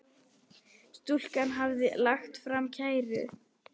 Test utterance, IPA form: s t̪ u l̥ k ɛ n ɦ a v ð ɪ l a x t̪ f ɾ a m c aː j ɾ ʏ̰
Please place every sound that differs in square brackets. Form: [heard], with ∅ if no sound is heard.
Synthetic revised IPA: s t̪ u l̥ k [a] n ɦ a v ð ɪ l a x t̪ f ɾ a m [cʰ] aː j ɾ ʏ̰